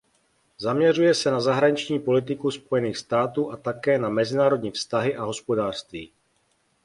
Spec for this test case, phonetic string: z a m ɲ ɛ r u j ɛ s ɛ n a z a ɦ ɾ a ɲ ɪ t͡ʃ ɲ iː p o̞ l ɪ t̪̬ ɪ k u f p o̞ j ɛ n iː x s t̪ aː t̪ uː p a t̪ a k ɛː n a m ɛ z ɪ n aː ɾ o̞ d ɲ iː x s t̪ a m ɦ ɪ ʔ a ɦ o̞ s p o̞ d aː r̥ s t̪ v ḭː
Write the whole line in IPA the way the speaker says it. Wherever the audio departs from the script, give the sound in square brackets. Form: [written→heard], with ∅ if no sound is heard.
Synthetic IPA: z a m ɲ ɛ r u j ɛ s ɛ n a z a ɦ ɾ a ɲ ɪ t͡ʃ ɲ iː p o̞ l ɪ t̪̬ ɪ k u [f→s] p o̞ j ɛ n iː x s t̪ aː t̪ uː [p→ʔ] a t̪ a k ɛː n a m ɛ z ɪ n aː ɾ o̞ d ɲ iː [x→f] s t̪ a [m→∅] ɦ ɪ ʔ a ɦ o̞ s p o̞ d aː r̥ s t̪ v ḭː